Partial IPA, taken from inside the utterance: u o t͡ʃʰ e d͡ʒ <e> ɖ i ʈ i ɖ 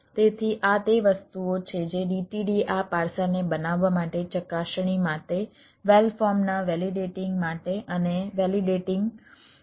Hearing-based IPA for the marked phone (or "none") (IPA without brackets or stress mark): e